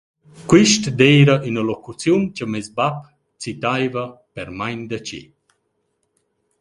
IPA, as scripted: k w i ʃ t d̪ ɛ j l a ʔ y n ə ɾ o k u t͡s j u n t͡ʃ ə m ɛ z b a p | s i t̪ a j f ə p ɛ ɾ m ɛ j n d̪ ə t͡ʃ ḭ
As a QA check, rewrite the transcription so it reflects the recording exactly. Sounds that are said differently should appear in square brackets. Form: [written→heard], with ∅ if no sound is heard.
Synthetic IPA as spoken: k w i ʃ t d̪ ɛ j [l→ɾ] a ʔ y n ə [ɾ→l] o k u t͡s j u n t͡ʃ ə m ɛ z b a p | [s→t͡s] i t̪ a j [f→v] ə p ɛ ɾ m [ɛ→a] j n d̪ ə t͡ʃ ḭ